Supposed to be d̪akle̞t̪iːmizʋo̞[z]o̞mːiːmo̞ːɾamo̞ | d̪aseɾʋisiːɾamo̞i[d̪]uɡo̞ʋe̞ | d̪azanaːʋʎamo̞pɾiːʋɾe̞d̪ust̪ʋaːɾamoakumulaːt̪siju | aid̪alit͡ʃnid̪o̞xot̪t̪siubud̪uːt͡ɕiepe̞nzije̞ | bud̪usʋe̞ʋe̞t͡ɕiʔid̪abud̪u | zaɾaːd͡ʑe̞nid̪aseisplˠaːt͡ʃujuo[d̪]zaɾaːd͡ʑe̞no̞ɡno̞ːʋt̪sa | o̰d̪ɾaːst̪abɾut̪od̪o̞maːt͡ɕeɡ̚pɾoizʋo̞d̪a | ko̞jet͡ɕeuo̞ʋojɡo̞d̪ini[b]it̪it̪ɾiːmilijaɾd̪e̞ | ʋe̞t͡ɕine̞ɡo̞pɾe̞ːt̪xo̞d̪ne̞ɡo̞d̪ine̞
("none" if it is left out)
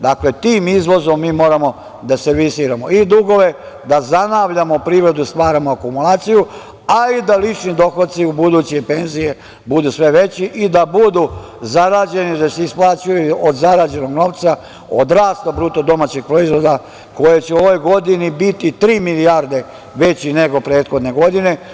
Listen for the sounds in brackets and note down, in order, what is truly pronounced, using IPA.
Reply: z, d̪, d̪, b

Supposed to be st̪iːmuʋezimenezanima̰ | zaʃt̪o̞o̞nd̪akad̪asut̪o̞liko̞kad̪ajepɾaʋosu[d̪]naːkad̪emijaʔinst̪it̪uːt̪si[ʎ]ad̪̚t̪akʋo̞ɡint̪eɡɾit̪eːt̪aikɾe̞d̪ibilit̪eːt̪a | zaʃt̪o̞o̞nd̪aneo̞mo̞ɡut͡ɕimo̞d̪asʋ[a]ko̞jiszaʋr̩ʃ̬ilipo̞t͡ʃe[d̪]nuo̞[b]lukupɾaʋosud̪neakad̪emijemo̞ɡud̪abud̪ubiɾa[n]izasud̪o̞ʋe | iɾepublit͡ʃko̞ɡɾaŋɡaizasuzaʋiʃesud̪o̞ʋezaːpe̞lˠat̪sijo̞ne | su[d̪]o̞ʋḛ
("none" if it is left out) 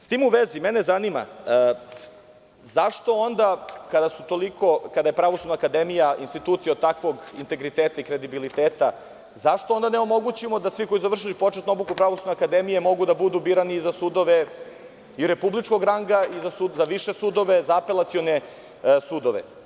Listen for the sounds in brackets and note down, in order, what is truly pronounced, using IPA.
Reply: d̪, j, i, t̪, b, n, d̪

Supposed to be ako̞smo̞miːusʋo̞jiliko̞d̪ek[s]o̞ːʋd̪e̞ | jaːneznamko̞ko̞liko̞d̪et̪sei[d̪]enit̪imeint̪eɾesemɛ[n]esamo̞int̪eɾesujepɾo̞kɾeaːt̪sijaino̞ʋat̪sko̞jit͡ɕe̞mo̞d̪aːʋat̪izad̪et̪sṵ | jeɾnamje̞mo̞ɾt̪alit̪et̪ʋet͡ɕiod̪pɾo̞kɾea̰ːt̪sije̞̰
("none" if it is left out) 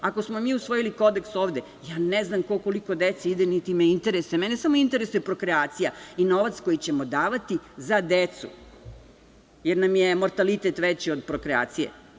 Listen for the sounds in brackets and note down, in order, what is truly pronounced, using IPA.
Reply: s, d̪, n

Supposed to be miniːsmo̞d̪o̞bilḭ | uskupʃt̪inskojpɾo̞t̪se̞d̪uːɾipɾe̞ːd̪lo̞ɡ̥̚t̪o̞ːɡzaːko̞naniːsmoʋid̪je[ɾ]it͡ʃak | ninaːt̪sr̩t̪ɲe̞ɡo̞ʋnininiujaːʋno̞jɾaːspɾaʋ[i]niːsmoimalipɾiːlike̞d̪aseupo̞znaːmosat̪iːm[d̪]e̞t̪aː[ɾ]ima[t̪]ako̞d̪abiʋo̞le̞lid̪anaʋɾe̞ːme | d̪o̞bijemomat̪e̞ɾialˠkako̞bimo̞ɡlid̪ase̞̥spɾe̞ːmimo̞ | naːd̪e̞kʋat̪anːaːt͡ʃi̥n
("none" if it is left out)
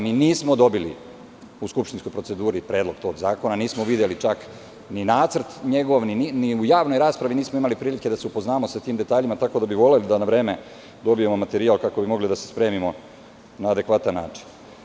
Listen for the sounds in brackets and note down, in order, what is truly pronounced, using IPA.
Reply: l, i, d̪, ʎ, t̪

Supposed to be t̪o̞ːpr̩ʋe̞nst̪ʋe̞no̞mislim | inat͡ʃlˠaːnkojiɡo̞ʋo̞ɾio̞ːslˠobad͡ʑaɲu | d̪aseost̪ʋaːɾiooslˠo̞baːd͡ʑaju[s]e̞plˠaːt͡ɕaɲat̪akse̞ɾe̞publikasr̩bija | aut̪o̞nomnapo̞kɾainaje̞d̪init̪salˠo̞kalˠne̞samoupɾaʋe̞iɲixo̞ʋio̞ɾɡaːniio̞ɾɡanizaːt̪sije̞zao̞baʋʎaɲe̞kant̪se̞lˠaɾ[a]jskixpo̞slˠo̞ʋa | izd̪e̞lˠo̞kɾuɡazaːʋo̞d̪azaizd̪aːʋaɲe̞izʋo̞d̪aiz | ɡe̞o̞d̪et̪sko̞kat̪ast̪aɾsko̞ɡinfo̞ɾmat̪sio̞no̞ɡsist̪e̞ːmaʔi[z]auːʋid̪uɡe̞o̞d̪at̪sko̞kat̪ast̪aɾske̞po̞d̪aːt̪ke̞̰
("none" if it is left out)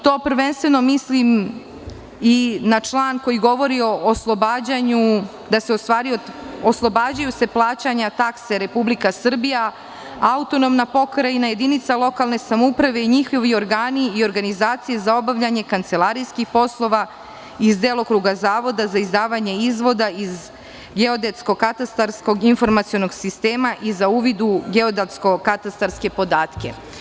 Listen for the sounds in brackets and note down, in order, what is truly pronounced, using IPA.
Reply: s, i, z

